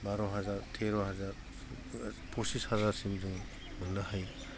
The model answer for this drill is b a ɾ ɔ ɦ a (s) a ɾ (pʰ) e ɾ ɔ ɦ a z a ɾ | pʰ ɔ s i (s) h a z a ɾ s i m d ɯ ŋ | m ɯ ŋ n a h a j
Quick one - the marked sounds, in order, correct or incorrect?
incorrect: z, incorrect: tʰ, correct

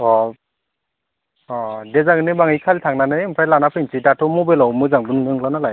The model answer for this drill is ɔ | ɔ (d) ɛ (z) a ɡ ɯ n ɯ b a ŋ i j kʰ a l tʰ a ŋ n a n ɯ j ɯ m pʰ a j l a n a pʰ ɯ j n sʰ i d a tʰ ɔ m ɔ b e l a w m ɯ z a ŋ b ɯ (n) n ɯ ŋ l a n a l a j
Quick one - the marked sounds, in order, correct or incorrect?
correct, correct, correct

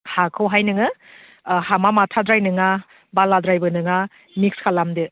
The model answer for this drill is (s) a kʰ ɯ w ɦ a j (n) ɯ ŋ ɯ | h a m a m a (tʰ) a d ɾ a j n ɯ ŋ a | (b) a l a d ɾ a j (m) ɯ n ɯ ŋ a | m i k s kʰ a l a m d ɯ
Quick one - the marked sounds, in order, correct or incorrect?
incorrect: h, correct, correct, correct, incorrect: b

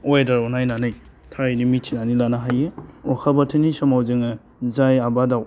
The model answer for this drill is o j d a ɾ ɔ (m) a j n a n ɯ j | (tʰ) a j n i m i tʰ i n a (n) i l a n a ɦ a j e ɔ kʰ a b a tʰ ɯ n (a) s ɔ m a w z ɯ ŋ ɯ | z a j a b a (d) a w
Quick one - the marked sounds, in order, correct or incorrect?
incorrect: n, correct, correct, incorrect: i, correct

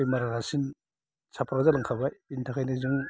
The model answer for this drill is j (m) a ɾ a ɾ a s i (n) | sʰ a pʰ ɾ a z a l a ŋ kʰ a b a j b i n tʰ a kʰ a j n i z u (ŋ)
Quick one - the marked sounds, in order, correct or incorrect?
correct, correct, correct

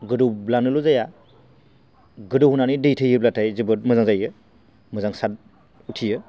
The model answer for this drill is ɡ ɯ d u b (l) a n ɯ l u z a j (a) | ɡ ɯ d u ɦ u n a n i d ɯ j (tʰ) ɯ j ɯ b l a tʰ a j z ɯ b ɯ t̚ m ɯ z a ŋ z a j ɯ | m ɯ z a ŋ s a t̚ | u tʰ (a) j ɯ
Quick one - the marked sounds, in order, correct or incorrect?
correct, correct, correct, incorrect: i

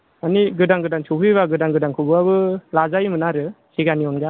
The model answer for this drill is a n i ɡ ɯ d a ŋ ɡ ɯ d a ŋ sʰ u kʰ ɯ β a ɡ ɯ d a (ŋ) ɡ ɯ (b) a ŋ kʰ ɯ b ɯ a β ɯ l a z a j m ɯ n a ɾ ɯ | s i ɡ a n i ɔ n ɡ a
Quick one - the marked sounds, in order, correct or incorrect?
correct, incorrect: d

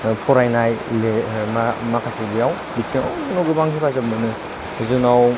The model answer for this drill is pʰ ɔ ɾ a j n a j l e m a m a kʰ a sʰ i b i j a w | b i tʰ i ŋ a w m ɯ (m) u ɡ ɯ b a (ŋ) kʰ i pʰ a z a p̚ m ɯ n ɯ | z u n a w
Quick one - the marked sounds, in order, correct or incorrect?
incorrect: n, correct

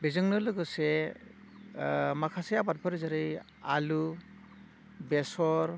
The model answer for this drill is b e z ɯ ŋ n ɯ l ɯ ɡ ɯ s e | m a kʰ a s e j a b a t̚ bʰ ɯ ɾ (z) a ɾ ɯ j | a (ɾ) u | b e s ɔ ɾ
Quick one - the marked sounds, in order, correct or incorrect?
correct, incorrect: l

